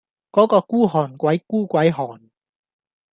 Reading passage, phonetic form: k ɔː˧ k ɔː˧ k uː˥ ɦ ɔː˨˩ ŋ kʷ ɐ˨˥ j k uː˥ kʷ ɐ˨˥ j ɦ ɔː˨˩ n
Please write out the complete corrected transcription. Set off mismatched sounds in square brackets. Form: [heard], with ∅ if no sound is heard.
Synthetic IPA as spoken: k [ɔː˨˥] k ɔː˧ k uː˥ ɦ ɔː˨˩ [n] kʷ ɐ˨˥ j k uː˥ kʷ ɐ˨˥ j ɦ ɔː˨˩ n